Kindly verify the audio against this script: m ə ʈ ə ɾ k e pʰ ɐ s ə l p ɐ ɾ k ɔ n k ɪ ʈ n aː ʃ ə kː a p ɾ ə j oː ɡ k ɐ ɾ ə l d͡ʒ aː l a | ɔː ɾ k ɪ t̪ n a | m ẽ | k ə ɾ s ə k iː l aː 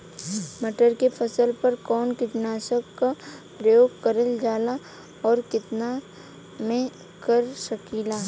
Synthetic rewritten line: m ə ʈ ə ɾ k e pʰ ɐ s ə l p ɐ ɾ k ɔː n k ɪ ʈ n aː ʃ ə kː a p ɾ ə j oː ɡ k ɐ ɾ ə l d͡ʒ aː l a | ɔː ɾ k ɪ t̪ n a | m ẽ | k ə ɾ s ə k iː l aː